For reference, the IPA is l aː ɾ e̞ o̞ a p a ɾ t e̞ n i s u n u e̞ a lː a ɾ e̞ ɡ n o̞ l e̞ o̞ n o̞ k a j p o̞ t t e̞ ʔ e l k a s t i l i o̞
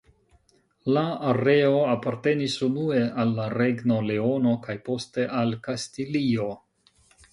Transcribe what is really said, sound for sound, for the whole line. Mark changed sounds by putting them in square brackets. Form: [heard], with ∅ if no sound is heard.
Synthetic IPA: l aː ɾ e̞ o̞ a p a ɾ t e̞ n i s u n u e̞ a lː a ɾ e̞ ɡ n o̞ l e̞ o̞ n o̞ k a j p o̞ [s] t e̞ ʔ [a] l k a s t i l i o̞